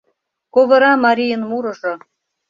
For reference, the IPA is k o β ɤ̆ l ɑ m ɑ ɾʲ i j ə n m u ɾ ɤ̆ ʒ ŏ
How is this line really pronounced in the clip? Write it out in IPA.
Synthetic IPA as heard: k o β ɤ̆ ɾ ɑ m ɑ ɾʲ i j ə n m u ɾ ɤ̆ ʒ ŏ